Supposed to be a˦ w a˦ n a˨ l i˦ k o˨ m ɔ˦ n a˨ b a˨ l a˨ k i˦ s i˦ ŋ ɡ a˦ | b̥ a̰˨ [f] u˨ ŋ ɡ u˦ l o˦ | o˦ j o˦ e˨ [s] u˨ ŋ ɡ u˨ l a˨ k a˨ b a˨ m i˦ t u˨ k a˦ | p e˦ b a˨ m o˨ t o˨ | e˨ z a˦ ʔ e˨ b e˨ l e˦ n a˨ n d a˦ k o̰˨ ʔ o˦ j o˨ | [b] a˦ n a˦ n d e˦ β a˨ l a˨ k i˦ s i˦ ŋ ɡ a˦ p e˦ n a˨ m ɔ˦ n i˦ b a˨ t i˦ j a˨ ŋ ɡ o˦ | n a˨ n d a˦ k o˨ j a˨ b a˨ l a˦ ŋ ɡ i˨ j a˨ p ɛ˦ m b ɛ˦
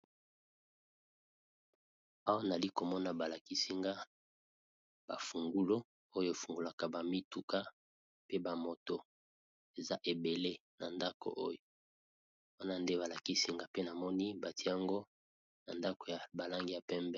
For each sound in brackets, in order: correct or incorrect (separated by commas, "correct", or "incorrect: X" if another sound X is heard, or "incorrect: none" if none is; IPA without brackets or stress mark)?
correct, incorrect: f, incorrect: w